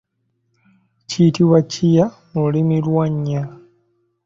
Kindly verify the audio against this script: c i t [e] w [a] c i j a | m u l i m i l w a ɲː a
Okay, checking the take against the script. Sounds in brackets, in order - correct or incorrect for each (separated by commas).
incorrect, correct